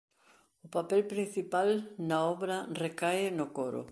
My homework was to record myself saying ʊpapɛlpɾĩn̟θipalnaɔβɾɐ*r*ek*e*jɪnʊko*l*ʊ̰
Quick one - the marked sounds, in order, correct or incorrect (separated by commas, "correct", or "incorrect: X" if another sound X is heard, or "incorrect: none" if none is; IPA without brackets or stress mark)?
correct, incorrect: a, incorrect: ɾ